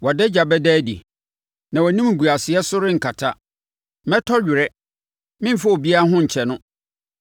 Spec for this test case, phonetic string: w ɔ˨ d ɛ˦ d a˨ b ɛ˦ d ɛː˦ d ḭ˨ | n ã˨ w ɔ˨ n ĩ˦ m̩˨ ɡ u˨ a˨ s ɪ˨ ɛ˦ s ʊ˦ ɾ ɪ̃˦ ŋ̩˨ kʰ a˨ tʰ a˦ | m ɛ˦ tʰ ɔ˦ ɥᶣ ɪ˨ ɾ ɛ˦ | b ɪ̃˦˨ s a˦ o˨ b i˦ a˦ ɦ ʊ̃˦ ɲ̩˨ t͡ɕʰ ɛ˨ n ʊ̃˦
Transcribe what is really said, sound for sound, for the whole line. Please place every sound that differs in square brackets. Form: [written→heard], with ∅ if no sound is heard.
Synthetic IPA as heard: w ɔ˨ d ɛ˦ [d→d͡ʑ] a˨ b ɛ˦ d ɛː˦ d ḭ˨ | n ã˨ w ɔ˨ n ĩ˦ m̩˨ ɡ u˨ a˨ s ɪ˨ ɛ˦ s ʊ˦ ɾ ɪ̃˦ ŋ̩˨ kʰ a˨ tʰ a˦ | m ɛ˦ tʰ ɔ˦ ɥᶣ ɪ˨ ɾ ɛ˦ | [b→m] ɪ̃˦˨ [s→f] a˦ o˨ b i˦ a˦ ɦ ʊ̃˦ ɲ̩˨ t͡ɕʰ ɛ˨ n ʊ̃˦

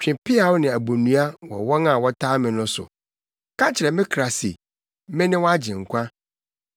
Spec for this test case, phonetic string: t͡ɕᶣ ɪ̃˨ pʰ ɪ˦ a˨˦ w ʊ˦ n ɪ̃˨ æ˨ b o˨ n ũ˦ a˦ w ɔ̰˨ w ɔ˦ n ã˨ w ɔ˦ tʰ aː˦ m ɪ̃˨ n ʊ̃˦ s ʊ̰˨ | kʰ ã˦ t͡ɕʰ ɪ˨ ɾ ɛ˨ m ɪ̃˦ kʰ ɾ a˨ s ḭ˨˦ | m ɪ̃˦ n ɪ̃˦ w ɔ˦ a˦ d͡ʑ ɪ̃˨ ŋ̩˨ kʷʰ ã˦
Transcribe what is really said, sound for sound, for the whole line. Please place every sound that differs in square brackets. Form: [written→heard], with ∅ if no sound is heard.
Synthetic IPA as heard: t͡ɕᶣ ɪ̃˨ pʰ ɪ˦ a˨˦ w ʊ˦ n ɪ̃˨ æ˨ b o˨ n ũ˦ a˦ w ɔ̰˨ w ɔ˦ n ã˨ w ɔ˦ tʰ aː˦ m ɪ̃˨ n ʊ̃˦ s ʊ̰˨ | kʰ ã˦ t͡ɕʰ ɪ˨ ɾ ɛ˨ m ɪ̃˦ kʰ ɾ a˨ s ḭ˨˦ | m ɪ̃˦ n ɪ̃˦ w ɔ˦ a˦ d͡ʑ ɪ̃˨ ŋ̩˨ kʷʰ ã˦

